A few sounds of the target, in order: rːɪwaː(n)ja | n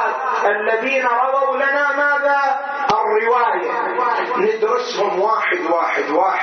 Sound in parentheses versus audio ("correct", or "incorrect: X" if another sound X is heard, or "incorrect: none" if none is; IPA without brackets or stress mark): incorrect: none